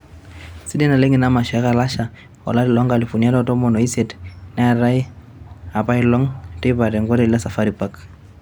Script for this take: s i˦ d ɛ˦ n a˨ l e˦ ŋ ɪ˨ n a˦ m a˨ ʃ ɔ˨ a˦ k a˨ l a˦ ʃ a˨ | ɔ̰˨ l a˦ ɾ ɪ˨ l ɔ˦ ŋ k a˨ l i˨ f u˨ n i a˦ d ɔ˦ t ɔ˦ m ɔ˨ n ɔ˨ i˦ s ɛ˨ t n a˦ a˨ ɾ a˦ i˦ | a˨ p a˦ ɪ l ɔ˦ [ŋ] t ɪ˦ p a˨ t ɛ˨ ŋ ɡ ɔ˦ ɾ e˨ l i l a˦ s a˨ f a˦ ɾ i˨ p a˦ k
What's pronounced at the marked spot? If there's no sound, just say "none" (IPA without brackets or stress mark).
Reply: ŋ